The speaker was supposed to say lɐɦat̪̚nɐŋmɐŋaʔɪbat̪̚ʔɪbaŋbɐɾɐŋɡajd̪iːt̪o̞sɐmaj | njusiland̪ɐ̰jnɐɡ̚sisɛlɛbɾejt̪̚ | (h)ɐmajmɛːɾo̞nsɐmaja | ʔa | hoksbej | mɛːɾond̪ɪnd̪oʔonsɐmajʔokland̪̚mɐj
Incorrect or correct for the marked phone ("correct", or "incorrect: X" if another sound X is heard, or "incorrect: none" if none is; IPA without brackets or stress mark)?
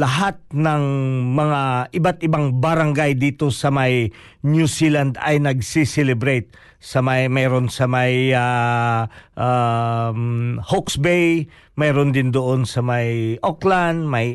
incorrect: s